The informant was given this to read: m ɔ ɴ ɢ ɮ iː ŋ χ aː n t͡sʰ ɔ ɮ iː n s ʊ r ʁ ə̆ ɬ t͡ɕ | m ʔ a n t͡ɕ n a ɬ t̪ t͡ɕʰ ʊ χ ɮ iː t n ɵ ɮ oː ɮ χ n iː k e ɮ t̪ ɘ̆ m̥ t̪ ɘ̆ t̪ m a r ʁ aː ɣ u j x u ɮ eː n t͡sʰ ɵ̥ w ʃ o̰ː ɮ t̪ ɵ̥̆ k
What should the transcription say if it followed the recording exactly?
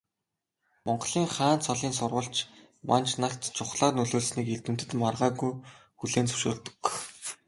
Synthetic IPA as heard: m ɔ ɴ ɢ ɮ iː ŋ χ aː n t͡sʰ ɔ ɮ iː n s ʊ r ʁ ə̆ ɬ t͡ɕ | m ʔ a n t͡ɕ n a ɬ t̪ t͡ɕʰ ʊ χ ɮ aː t n ɵ ɮ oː ɮ s n iː k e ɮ t̪ ɘ̆ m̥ t̪ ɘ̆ t̪ m a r ʁ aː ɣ u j x u ɮ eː n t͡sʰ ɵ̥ w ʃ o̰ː ɮ t̪ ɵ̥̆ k